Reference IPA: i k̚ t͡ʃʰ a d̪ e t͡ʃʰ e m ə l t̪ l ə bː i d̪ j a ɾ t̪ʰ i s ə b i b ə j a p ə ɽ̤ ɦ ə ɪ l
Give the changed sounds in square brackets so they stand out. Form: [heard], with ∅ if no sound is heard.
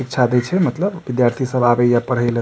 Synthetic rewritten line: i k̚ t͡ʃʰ a d̪ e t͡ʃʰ [ɛ] m ə [∅] t̪ l ə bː i d̪ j a ɾ t̪ʰ i s ə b [a] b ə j a p ə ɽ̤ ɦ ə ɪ l